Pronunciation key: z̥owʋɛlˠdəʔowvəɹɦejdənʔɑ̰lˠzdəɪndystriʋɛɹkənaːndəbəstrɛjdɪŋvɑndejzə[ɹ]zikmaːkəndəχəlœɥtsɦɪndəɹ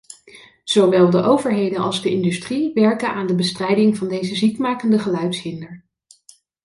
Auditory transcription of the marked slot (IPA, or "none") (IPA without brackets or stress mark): none